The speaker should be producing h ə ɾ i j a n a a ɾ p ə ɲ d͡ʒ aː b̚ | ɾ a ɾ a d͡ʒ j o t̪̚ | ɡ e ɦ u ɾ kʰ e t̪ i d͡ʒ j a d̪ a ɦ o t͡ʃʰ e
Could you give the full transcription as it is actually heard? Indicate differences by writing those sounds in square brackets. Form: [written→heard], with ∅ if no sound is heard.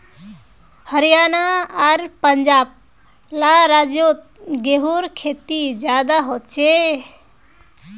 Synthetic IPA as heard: h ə ɾ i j a n a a ɾ p ə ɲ d͡ʒ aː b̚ | [ɾ→l] a ɾ a d͡ʒ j o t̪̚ | ɡ e ɦ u ɾ kʰ e t̪ i d͡ʒ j a d̪ a ɦ o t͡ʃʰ e

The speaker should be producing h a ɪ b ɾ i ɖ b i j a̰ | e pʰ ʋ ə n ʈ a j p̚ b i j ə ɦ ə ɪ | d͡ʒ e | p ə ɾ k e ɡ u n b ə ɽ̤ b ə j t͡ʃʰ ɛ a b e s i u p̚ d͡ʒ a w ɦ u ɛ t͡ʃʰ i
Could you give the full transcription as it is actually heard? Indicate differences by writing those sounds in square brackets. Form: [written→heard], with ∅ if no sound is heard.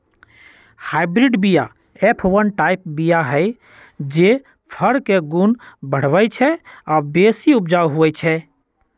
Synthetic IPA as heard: h a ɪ b ɾ i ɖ b i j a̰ | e pʰ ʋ ə n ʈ a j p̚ b i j [ə→a] ɦ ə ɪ | d͡ʒ e | [p→pʰ] ə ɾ k e ɡ u n b ə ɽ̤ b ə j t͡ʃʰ ɛ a b e s i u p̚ d͡ʒ a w ɦ u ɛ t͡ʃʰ [i→ɛ]

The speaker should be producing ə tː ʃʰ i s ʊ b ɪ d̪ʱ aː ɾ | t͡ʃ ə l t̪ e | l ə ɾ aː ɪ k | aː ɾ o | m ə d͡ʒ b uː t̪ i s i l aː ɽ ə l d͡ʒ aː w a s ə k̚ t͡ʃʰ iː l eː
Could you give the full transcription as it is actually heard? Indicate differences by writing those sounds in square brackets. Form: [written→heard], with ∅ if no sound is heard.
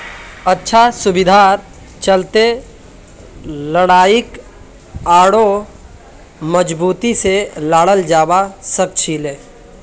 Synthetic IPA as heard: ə tː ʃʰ [i→a] s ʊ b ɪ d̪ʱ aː ɾ | t͡ʃ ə l t̪ e | l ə [ɾ→ɽ] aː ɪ k | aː [ɾ→ɽ] o | m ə d͡ʒ b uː t̪ i s [i→e] l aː ɽ ə l d͡ʒ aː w a s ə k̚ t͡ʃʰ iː l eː

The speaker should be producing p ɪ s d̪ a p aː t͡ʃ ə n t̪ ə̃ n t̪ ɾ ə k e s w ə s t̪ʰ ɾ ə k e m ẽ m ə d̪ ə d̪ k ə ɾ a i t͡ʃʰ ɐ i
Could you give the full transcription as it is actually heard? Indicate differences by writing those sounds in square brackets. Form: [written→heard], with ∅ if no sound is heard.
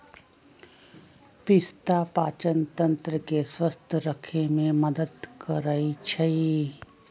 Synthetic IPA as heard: p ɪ s [d̪→t̪] a p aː t͡ʃ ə n t̪ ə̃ n t̪ ɾ ə k e s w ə s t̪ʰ ɾ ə [k→kʰ] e m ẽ m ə d̪ ə d̪ k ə ɾ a i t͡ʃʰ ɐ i

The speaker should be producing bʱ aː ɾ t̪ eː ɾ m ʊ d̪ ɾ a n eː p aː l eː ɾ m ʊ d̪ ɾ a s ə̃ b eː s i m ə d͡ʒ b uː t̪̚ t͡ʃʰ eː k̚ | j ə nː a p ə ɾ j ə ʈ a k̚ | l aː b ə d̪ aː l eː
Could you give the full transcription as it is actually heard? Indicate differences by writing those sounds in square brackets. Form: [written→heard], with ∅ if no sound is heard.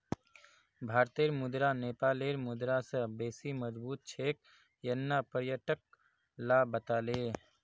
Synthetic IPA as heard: bʱ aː ɾ t̪ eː ɾ m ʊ d̪ ɾ a n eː p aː l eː ɾ m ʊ d̪ ɾ a s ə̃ b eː s i m ə d͡ʒ b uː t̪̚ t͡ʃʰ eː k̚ | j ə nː a p ə ɾ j ə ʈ [a→ə] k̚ | l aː b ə [d̪→t̪] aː l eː

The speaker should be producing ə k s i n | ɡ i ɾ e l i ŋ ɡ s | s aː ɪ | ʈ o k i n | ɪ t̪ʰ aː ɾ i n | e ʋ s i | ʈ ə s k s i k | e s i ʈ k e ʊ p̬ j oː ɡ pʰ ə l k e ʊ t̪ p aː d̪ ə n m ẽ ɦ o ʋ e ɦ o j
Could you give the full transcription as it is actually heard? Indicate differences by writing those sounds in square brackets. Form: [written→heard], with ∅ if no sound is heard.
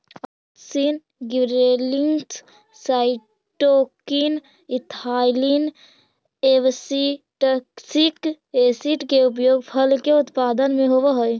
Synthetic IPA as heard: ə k s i n | ɡ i ɾ e l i ŋ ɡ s | s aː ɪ | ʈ o k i n | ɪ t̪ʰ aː [ɾ→l] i n | e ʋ s i | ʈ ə [s→∅] k s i k | e s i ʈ k e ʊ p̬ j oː ɡ pʰ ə l k e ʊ t̪ p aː d̪ ə n m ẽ ɦ o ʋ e ɦ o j

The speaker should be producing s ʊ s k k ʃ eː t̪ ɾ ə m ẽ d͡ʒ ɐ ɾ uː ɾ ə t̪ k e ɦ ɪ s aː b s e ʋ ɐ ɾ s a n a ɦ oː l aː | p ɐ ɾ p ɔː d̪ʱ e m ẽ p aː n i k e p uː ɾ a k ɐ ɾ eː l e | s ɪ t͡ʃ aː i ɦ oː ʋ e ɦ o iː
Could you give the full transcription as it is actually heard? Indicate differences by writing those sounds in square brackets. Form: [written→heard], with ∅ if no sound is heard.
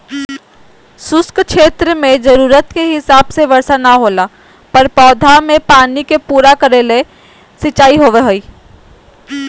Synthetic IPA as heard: s ʊ s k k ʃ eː t̪ ɾ ə m ẽ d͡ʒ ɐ ɾ uː ɾ ə t̪ k e ɦ ɪ s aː b s e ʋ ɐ ɾ s a n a ɦ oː l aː | p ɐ ɾ p ɔː d̪ʱ [e→a] m ẽ p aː n i k e p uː ɾ a k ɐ ɾ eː l e | s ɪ t͡ʃ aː i ɦ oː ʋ e ɦ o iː

